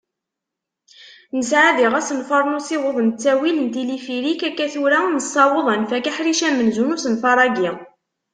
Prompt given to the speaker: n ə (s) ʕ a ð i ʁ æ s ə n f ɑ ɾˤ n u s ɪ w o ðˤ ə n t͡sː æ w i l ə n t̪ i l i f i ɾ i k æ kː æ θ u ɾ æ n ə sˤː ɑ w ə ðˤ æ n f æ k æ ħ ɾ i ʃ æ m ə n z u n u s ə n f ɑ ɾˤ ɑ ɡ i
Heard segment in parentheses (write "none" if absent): s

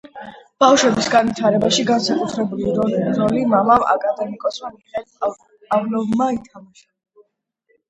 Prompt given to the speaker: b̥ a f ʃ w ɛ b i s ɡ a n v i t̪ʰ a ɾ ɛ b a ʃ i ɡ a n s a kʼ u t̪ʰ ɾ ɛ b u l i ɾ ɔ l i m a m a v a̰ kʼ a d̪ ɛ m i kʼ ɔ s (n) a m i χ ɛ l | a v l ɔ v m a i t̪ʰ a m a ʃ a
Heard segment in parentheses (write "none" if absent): m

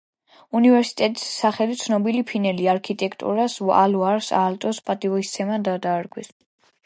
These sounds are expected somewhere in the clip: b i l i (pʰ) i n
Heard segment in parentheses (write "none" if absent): pʰ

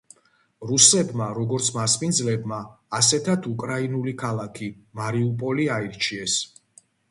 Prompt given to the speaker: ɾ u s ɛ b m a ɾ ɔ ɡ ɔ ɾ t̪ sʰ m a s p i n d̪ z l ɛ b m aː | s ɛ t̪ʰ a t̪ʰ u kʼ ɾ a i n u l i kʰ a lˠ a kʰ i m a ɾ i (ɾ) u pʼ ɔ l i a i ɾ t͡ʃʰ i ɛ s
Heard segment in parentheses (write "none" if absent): none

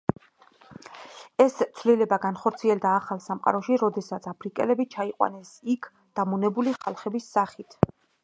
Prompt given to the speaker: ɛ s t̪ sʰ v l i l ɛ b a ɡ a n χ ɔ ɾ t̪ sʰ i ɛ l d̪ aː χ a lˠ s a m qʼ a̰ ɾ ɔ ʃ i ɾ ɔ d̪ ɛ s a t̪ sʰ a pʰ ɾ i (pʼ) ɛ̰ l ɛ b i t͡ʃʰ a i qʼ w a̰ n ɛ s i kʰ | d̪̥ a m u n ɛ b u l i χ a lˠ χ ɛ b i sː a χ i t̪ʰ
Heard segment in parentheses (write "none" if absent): kʼ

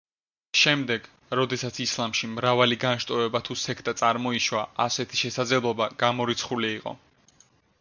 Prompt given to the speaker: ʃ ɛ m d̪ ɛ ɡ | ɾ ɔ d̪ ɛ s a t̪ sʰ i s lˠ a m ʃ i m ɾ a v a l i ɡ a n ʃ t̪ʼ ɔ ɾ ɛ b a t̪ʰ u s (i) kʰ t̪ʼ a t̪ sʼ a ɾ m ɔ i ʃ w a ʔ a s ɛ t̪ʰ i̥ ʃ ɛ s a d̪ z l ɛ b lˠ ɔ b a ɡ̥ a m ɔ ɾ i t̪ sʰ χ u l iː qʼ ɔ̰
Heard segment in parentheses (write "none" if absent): ɛ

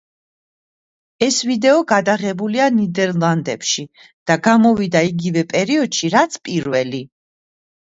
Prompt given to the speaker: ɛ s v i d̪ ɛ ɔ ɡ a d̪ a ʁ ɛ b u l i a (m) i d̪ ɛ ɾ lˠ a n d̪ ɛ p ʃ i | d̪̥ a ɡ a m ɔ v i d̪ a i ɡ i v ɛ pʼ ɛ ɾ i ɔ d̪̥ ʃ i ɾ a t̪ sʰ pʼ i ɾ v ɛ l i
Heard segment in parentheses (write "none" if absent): n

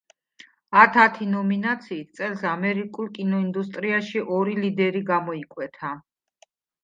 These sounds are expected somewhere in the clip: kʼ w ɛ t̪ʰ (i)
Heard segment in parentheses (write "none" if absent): a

